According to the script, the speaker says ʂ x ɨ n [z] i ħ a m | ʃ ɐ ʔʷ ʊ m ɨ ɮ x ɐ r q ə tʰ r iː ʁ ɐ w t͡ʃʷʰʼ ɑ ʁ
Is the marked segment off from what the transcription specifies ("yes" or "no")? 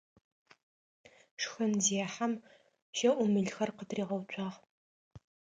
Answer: no